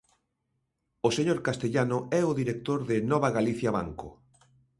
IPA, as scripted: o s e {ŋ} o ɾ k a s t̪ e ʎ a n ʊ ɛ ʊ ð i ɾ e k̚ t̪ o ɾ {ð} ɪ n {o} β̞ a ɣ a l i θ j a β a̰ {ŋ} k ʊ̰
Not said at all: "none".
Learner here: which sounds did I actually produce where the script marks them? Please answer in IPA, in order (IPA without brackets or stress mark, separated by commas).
ɲ, ð, ɔ, ŋ